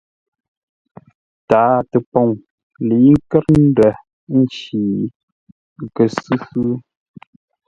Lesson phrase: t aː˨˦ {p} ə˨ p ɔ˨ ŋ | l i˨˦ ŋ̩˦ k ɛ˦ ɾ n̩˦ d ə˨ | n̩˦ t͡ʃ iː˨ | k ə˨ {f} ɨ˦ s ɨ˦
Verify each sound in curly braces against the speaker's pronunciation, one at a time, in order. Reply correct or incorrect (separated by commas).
incorrect, incorrect